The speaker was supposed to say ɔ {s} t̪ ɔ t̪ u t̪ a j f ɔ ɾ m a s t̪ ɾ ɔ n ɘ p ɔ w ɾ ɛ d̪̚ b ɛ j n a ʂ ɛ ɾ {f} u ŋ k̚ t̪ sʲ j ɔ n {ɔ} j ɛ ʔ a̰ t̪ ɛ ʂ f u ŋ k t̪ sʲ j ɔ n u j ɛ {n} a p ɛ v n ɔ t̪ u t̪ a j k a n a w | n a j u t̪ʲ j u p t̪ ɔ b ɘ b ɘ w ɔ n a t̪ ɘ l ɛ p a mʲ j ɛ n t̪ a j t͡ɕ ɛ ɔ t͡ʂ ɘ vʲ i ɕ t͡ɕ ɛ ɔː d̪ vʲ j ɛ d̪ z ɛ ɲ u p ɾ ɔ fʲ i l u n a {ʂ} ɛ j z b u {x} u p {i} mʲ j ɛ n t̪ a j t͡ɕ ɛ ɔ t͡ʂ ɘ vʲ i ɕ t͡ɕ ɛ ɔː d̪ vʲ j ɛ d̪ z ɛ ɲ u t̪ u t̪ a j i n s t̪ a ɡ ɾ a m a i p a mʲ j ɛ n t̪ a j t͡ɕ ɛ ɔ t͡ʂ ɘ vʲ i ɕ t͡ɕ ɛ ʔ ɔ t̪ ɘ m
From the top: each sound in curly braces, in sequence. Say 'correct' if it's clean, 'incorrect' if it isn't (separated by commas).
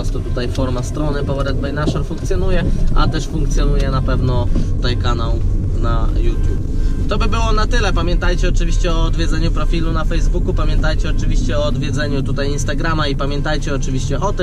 correct, correct, incorrect, correct, incorrect, incorrect, incorrect